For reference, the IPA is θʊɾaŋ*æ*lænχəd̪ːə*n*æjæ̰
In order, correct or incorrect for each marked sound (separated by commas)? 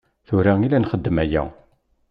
incorrect, incorrect